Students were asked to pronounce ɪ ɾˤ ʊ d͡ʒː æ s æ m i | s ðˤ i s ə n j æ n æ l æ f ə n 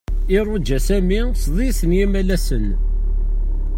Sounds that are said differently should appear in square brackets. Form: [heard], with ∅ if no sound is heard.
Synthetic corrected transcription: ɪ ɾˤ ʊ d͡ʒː æ s æ m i | s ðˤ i s ə n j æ [m] æ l æ [s] ə n